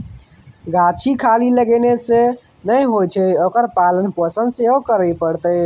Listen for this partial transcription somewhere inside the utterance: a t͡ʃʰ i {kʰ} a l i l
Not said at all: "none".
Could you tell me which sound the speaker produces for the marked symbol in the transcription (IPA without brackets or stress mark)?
kʰ